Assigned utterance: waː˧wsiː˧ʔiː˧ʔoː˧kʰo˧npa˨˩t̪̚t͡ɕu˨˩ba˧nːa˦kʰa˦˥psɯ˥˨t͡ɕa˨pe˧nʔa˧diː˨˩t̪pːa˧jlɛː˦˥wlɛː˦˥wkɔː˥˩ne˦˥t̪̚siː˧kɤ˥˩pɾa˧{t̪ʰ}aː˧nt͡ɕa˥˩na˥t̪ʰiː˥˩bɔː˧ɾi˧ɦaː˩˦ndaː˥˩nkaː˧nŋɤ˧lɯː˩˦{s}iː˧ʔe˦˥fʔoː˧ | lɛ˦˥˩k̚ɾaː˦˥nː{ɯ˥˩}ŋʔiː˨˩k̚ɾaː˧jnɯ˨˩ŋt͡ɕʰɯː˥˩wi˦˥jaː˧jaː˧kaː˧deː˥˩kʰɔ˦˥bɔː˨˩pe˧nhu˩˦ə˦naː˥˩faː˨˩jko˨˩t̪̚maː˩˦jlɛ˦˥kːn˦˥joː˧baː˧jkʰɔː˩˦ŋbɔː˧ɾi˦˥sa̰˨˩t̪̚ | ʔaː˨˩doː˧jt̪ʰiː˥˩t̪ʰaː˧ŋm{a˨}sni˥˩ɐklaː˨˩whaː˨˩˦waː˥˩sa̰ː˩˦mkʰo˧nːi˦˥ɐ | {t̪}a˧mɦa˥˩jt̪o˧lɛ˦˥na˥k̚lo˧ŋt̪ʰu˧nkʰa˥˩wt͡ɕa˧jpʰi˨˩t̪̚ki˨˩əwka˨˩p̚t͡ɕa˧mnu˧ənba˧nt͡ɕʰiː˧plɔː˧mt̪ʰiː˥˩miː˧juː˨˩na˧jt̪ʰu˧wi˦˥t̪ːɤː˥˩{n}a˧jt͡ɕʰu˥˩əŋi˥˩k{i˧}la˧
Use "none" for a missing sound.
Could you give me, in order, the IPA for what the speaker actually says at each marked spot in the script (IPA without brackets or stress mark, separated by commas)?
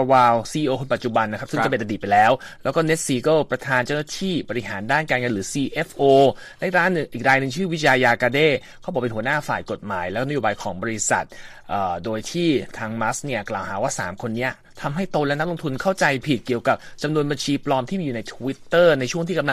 t̪ʰ, s, ɯ˨˩, a˦˥, t̪ʰ, n, a˧